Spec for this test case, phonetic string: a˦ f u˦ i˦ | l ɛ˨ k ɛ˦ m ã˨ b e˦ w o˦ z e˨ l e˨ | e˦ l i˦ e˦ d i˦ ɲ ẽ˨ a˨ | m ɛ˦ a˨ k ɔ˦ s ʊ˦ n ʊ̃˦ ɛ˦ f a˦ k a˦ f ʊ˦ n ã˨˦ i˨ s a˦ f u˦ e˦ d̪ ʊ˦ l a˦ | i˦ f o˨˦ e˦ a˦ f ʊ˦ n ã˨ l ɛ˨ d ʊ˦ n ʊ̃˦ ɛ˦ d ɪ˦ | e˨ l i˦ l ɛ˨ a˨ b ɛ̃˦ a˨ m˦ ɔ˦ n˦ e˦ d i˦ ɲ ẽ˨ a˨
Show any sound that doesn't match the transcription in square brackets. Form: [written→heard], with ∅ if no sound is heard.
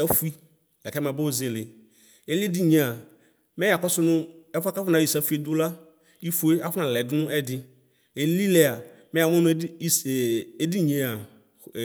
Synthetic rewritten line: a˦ f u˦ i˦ | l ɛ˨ k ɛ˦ m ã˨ b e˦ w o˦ z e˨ l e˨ | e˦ l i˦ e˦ d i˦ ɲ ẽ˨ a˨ | m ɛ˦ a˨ k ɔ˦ s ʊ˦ n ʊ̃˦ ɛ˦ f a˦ k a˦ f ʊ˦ n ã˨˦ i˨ s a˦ f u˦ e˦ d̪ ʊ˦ l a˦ | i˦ f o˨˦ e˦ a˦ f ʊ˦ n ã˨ l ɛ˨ d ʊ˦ n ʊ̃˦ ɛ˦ d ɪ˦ | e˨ l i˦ l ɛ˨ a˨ [b→m] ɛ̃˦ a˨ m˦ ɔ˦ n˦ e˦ d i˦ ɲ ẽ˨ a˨